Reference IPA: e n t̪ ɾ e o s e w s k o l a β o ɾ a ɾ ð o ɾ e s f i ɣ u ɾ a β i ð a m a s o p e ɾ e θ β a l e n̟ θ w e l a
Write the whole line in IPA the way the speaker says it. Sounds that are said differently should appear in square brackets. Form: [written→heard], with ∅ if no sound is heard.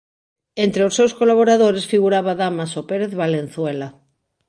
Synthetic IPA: e n t̪ ɾ e o s e w s k o l a β o ɾ a [ɾ→∅] ð o ɾ e s f i ɣ u ɾ a β [i→a] ð a m a s o p e ɾ e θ β a l e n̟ θ w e l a

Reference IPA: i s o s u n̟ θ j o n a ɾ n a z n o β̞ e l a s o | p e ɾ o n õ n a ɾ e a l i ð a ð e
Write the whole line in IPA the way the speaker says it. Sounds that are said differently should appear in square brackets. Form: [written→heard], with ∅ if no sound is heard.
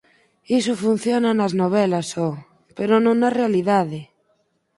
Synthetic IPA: i s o [s→f] u n̟ θ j o n a [ɾ→∅] n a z n o β̞ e l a s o | p e ɾ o n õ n a [ɾ→r] e a l i ð a ð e

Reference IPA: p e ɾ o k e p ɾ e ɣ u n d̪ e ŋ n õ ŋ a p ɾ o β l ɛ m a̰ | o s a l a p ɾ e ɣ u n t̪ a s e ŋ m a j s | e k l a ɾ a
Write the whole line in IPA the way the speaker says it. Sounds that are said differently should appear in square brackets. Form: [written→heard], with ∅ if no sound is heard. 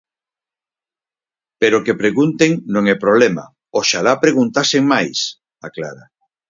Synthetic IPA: p e ɾ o k e p ɾ e ɣ u n [d̪→t̪] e ŋ n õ ŋ [a→ɛ] p ɾ o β l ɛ m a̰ | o [s→ʃ] a l a p ɾ e ɣ u n t̪ a s e ŋ m a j s | [e→a] k l a ɾ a

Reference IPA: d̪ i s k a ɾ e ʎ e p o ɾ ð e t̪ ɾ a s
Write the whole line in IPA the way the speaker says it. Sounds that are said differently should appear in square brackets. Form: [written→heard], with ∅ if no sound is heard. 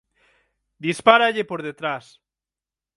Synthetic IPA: d̪ i s [k→p] a ɾ [e→a] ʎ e p o ɾ ð e t̪ ɾ a s

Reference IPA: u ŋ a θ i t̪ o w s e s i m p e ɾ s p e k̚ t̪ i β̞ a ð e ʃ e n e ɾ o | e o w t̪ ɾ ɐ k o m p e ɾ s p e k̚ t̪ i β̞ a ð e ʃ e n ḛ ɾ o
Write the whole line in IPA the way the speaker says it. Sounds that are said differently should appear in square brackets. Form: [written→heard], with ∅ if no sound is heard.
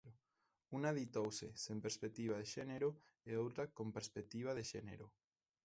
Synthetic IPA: u [ŋ→n] a [θ→ð] i t̪ o w s e s [i→e] m p e ɾ s p e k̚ t̪ i β̞ a ð e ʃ e n e ɾ o | e o w t̪ ɾ [ɐ→a] k o m p e ɾ s p e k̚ t̪ i β̞ a ð e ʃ e n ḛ ɾ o

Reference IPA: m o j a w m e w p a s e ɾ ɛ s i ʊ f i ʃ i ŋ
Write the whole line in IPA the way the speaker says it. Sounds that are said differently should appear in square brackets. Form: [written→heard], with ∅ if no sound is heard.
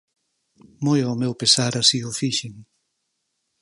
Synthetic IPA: m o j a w m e w p [a→e] s [e→a] ɾ [ɛ→a] s i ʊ f i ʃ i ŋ

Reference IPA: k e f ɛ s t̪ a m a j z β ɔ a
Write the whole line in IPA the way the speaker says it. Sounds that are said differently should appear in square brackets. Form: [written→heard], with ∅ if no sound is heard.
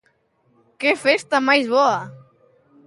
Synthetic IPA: k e f [ɛ→e] s t̪ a m a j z β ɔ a

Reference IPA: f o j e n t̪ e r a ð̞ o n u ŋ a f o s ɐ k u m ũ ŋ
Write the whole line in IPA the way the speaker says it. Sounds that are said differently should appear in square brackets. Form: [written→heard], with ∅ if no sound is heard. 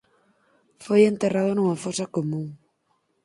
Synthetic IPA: f o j e n t̪ e r a ð̞ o n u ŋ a f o s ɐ k [u→o] m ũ ŋ

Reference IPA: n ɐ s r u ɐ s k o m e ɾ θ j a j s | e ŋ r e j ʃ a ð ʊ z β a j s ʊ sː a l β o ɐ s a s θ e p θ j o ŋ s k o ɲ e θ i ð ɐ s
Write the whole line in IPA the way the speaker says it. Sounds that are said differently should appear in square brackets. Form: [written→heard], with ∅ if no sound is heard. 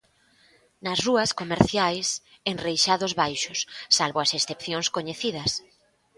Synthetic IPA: n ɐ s r u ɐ s k o m e ɾ θ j a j s | e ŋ r e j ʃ a ð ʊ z β a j [s→ʃ] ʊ sː a l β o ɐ s [a→e] s θ e p θ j o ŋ s k o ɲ e θ i ð ɐ s

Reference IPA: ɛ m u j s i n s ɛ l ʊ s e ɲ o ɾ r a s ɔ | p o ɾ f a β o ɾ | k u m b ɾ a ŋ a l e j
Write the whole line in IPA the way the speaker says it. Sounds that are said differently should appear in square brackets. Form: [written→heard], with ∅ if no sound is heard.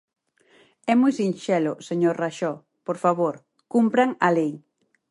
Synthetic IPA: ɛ m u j s i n [s→ʃ] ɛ l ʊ s e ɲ o ɾ r a [s→ʃ] ɔ | p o ɾ f a β o ɾ | k u m [b→p] ɾ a ŋ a l e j

